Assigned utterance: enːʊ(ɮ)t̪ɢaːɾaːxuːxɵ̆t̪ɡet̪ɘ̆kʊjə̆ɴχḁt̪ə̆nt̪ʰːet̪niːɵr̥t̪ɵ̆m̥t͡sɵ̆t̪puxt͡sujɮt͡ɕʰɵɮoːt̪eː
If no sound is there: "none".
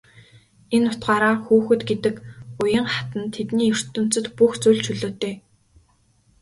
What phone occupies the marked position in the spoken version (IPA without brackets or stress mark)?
none